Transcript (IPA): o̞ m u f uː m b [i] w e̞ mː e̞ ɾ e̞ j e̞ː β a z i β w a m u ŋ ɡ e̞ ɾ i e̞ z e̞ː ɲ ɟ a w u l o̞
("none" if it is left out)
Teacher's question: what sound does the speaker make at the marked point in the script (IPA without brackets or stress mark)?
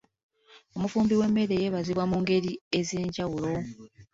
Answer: i